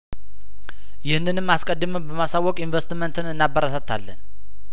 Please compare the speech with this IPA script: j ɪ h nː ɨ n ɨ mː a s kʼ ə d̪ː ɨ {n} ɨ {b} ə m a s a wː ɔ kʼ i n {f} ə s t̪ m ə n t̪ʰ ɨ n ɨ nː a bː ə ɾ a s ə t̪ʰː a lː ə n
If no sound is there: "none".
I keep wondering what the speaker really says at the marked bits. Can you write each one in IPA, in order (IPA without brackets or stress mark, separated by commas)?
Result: m, b, v